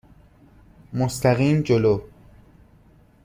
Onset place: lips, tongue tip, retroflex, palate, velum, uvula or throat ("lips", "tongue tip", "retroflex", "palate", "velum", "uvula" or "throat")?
lips